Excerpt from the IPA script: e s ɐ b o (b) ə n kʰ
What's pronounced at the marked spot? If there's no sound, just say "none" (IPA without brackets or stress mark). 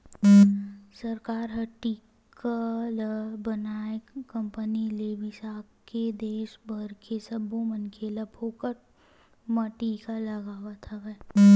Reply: m